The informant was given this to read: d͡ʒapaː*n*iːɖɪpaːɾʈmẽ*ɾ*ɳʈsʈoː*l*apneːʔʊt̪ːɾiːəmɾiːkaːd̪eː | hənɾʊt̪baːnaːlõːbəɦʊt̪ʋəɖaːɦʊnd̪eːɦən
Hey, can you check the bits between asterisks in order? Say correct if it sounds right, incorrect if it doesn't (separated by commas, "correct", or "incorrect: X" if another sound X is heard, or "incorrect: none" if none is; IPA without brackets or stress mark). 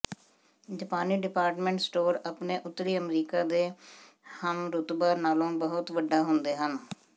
correct, incorrect: none, incorrect: ɾ